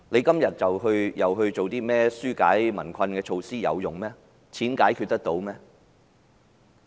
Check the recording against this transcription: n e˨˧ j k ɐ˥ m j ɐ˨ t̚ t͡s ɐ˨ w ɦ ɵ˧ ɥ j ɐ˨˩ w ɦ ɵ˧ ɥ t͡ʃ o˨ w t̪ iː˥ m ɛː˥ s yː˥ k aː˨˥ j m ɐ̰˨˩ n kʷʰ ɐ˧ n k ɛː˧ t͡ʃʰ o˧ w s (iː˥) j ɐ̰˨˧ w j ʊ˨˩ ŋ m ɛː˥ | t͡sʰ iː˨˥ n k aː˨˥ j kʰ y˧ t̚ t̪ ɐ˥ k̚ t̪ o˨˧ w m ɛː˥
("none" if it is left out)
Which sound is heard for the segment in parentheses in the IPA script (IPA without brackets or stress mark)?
iː˥